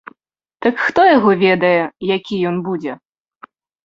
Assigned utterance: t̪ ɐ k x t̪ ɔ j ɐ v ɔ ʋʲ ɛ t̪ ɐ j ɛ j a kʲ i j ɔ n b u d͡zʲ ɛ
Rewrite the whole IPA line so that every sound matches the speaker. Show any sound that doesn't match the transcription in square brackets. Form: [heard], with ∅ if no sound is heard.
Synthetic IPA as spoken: t̪ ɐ k x t̪ ɔ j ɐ [ɣ] ɔ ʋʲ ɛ [d̪] ɐ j ɛ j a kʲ i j ɔ n b u d͡zʲ ɛ